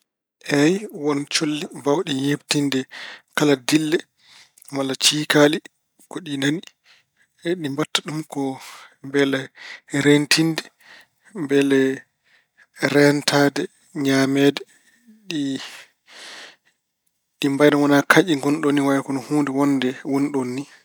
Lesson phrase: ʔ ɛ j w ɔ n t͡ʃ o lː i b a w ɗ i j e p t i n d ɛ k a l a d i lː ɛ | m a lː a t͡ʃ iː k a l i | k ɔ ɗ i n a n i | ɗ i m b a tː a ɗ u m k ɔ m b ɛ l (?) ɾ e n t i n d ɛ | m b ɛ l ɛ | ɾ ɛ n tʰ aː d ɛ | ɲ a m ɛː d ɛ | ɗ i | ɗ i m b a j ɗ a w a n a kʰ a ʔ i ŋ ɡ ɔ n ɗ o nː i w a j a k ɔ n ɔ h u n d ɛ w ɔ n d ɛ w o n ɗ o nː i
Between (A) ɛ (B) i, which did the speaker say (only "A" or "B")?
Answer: A